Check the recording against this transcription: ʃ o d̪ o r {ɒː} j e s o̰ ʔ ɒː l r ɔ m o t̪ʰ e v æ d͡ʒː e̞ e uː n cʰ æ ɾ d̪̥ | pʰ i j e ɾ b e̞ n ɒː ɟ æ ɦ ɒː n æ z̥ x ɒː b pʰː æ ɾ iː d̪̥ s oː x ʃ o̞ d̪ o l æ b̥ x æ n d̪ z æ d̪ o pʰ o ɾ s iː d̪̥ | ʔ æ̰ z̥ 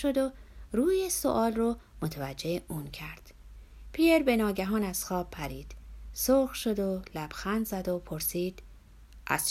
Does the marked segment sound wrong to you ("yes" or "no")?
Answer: yes